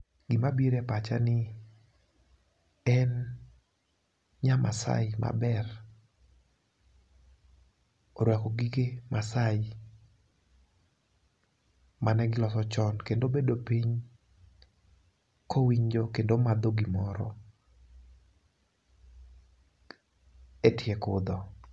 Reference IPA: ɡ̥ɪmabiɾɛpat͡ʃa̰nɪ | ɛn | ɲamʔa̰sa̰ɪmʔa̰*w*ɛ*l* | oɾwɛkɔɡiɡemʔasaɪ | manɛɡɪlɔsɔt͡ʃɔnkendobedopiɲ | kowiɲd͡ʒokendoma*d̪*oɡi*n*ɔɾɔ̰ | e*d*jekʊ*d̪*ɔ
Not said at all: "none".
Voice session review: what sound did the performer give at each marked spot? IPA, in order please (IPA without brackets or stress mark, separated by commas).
b, r, d̪, m, t, d̪